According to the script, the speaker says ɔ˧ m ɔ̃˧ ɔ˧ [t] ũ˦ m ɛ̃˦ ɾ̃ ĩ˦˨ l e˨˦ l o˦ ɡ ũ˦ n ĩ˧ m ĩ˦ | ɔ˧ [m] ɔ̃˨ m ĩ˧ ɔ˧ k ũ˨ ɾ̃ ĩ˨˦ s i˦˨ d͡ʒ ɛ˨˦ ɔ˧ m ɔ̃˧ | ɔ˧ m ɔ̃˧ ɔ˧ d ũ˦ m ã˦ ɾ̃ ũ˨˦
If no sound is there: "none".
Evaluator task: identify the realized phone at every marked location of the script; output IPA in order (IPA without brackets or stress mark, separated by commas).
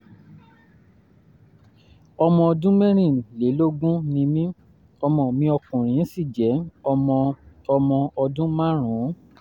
d, m